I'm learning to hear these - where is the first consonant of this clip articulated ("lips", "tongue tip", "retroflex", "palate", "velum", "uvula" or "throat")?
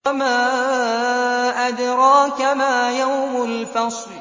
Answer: lips